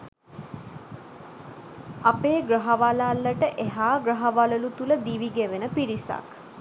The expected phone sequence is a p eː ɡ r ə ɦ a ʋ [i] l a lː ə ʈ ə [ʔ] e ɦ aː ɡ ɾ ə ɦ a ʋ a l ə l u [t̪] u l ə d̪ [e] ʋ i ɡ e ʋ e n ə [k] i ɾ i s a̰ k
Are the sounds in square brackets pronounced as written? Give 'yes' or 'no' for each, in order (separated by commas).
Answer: no, yes, yes, no, no